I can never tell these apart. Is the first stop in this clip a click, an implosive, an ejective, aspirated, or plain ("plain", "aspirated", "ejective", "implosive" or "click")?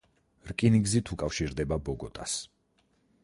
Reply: ejective